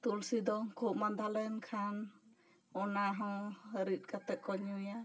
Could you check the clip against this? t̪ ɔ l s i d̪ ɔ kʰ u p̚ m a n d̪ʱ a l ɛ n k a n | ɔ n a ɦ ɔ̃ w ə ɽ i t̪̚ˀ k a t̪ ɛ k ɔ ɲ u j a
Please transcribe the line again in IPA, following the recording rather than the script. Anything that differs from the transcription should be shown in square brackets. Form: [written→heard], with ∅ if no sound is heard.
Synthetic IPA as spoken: t̪ [ɔ→u] l s i d̪ ɔ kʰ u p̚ m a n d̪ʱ a l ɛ n [k→kʰ] a n | ɔ n a ɦ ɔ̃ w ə [ɽ→ɾ] i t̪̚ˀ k a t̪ ɛ k ɔ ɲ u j a